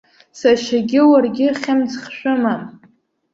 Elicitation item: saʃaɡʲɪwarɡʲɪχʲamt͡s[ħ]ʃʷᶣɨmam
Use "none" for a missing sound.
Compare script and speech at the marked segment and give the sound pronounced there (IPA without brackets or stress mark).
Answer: χ